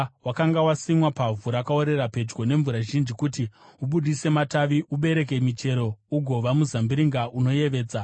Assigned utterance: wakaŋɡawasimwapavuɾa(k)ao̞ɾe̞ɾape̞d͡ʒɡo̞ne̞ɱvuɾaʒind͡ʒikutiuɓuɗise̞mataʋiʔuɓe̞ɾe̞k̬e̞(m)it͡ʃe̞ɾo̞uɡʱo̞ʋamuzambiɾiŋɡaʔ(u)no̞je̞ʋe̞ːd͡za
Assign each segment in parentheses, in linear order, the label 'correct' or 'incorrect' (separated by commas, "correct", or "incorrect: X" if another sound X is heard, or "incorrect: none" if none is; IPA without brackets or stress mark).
correct, correct, correct